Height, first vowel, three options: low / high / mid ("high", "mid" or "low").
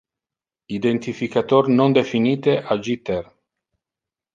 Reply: high